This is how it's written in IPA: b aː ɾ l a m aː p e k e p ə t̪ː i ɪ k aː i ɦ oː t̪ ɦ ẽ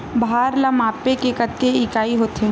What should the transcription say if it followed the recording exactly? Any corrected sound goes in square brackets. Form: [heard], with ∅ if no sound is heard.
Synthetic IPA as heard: b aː ɾ l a m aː p e k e [k] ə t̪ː [e] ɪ k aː i ɦ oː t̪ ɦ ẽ

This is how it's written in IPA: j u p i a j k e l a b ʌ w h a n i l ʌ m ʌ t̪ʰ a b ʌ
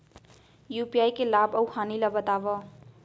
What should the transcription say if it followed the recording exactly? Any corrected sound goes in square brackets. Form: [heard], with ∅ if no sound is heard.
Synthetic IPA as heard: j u p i a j k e l a b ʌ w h a n i l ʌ [b] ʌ [t̪] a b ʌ

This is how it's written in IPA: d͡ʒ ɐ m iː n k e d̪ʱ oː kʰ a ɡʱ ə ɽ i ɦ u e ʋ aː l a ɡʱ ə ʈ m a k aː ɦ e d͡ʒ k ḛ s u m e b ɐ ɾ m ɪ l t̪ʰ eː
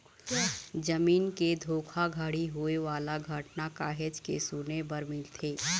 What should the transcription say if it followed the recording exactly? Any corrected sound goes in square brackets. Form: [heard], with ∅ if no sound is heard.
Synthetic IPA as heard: d͡ʒ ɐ m iː n k e d̪ʱ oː kʰ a ɡʱ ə ɽ i ɦ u e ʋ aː l a ɡʱ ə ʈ [n] a k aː ɦ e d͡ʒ k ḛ s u [n] e b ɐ ɾ m ɪ l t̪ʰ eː

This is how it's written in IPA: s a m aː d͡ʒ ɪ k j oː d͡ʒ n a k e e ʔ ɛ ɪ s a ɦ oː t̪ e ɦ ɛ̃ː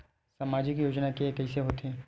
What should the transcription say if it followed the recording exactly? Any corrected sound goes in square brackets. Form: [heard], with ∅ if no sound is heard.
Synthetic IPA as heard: s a m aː d͡ʒ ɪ k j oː d͡ʒ n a k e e [k] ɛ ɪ s [e] ɦ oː t̪ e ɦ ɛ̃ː

